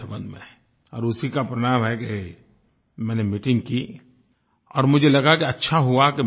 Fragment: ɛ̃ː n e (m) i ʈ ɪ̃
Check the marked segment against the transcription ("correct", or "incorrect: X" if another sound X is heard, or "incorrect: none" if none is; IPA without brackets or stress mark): correct